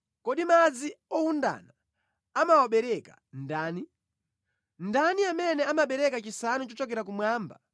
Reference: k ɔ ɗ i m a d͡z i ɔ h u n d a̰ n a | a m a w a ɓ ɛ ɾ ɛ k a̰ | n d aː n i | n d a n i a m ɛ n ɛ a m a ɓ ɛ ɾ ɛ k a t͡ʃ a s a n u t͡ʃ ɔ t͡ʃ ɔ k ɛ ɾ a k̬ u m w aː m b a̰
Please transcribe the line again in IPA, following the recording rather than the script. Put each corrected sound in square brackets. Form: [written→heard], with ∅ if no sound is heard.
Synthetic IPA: k ɔ ɗ i m a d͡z i ɔ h u n d a̰ n a | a m a w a ɓ ɛ ɾ ɛ k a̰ | n d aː n i | n d a n i a m ɛ n ɛ a m a ɓ ɛ ɾ ɛ k a t͡ʃ [a→i] s a n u t͡ʃ ɔ t͡ʃ ɔ k ɛ ɾ a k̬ u m w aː m b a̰